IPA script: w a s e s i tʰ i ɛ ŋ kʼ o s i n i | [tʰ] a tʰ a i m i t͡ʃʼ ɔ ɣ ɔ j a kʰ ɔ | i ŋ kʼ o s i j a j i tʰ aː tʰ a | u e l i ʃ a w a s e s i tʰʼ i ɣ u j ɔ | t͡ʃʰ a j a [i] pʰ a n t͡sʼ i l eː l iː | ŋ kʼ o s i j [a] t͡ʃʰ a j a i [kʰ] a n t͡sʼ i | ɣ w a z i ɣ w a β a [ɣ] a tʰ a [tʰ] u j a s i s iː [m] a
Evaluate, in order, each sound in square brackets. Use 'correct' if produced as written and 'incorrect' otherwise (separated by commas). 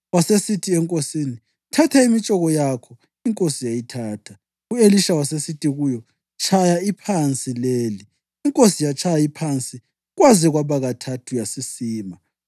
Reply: correct, correct, correct, incorrect, correct, correct, correct